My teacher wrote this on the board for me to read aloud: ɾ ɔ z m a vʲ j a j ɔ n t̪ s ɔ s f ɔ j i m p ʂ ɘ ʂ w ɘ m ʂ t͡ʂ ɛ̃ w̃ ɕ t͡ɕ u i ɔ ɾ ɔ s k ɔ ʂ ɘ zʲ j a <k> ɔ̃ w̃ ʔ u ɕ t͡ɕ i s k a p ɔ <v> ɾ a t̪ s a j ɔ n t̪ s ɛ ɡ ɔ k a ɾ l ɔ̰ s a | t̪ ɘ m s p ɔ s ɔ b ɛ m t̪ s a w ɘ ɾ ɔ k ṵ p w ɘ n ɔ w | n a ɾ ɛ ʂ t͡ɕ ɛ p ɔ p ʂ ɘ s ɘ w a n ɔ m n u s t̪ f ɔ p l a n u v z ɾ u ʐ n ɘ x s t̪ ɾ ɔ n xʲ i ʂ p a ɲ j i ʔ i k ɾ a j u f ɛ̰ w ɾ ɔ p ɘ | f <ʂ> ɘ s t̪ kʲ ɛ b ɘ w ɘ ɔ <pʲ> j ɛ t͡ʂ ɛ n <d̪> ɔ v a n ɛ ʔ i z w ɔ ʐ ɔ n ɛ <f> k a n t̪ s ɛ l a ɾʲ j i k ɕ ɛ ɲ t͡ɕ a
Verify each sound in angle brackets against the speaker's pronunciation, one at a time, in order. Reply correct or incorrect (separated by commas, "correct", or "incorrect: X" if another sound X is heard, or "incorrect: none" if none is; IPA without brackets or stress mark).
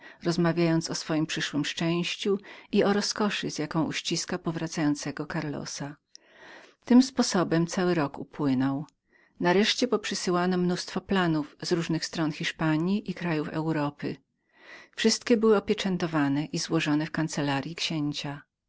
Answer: correct, correct, correct, correct, incorrect: t̪, correct